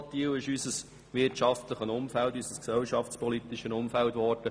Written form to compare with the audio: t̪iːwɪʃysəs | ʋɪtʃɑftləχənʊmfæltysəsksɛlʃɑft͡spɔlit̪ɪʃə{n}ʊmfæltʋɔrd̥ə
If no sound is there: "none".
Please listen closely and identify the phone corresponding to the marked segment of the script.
n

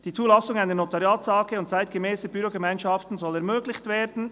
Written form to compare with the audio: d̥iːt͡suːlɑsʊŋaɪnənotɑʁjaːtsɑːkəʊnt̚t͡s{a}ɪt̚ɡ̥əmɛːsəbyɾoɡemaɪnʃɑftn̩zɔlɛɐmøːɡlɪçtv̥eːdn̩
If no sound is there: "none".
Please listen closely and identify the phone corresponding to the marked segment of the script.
a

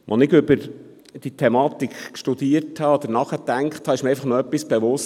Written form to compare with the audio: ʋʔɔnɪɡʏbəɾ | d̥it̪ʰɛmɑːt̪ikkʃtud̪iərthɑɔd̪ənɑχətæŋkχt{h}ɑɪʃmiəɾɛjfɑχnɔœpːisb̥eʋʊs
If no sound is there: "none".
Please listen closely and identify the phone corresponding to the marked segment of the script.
h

